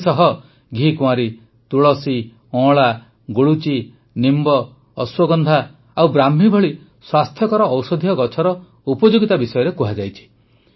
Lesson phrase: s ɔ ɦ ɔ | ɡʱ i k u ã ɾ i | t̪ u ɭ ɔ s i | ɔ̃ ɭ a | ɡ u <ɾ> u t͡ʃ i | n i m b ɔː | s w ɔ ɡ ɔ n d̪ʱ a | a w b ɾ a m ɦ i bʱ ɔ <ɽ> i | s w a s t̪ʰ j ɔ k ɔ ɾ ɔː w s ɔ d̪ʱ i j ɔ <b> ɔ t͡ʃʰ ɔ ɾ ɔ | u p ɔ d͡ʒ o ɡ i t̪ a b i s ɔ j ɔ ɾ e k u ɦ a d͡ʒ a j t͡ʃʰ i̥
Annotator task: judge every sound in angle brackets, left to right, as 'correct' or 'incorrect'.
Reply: incorrect: ɭ, incorrect: ɭ, incorrect: ɡ

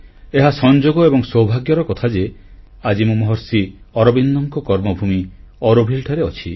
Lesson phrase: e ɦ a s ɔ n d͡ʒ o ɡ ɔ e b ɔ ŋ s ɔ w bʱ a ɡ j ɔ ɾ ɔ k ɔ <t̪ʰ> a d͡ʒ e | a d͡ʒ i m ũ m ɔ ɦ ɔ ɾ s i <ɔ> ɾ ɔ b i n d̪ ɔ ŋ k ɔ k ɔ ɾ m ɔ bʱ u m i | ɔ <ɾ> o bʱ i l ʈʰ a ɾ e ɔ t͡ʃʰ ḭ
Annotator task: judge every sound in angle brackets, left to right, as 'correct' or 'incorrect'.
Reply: correct, correct, correct

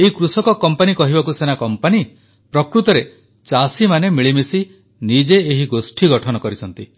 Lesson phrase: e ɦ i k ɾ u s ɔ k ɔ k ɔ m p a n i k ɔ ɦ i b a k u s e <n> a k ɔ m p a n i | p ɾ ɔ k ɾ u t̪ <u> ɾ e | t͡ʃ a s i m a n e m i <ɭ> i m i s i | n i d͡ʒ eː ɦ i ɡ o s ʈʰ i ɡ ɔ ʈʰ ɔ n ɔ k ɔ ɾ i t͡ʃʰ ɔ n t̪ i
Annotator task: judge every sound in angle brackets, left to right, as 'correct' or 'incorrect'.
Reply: correct, incorrect: ɔ, correct

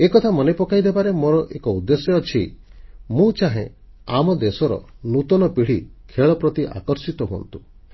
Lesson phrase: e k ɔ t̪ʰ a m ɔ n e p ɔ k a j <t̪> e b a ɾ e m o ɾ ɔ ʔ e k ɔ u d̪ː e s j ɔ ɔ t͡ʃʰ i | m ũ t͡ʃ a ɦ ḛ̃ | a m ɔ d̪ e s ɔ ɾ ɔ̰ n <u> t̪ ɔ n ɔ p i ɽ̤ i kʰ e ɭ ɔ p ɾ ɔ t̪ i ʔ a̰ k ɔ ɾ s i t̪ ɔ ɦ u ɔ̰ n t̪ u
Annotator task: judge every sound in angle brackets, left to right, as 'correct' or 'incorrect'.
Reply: incorrect: d̪, correct

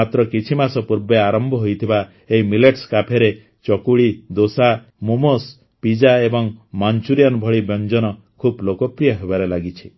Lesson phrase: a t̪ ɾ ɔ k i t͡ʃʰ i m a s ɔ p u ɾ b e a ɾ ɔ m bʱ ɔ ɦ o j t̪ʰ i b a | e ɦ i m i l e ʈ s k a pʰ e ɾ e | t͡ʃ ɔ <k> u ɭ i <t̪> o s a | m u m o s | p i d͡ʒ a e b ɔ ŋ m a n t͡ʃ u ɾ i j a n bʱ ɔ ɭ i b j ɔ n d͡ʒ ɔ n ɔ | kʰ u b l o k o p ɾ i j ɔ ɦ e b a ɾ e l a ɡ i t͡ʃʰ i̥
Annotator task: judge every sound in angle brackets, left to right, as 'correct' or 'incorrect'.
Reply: correct, incorrect: d̪

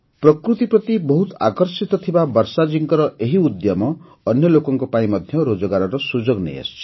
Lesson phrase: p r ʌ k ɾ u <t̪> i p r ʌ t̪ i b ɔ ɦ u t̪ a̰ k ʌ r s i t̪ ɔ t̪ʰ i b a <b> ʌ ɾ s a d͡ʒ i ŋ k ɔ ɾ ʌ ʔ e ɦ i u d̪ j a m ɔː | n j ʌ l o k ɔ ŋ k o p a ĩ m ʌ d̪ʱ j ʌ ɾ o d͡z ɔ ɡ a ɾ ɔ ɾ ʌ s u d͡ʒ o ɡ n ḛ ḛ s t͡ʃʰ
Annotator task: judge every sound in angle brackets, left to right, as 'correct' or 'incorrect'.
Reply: correct, correct

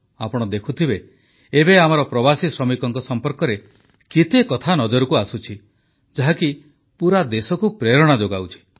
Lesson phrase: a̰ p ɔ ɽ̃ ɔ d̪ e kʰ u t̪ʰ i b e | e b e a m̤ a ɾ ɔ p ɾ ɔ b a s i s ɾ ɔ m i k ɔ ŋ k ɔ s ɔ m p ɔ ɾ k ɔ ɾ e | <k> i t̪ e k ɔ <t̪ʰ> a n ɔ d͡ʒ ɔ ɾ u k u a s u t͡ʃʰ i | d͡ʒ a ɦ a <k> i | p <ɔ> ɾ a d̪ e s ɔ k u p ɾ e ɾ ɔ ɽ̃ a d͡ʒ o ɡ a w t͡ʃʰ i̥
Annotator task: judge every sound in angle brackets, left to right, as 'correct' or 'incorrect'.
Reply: correct, correct, correct, incorrect: u

